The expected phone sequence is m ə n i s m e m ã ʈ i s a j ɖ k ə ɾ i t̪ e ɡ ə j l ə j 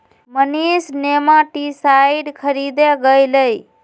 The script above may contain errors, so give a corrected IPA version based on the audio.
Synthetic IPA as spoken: m ə n i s n e m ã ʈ i s a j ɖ kʰ ə ɾ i d̪ e ɡ ə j l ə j